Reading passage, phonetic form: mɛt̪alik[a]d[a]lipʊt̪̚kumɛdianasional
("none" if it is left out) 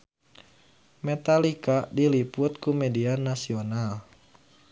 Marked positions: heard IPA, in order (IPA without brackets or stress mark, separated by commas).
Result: a, i